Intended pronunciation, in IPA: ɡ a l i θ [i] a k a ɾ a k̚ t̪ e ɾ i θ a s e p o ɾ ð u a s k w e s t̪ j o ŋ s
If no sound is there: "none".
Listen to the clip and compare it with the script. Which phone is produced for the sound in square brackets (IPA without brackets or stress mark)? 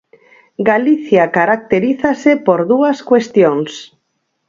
j